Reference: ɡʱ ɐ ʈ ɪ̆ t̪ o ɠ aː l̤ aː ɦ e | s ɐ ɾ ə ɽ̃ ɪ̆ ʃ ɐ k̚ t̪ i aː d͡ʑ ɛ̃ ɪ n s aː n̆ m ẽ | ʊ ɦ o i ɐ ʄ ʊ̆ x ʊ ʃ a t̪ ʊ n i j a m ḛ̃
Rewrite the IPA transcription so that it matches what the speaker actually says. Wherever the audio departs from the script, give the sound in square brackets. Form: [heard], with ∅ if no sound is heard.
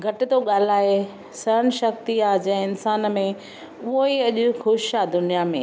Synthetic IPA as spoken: ɡʱ ɐ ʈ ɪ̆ t̪ o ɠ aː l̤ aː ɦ e | s ɐ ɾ ə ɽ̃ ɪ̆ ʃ ɐ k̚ t̪ i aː d͡ʑ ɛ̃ ɪ n s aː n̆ m ẽ | ʊ ɦ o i ɐ ʄ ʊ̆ x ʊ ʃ a [d̪] ʊ n i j a m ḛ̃